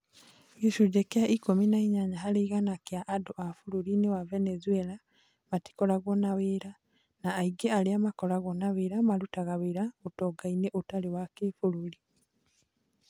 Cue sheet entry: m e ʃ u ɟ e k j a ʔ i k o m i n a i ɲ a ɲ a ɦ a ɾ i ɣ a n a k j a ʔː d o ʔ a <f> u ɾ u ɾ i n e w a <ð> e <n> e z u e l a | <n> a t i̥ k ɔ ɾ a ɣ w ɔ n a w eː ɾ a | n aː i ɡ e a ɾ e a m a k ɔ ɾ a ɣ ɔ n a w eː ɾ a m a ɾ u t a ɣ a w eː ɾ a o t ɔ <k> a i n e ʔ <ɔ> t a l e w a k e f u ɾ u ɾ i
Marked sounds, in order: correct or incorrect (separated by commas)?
correct, incorrect, correct, incorrect, incorrect, incorrect